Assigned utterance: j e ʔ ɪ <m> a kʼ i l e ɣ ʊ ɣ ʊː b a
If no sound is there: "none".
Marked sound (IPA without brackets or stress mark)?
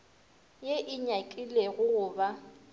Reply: ɲ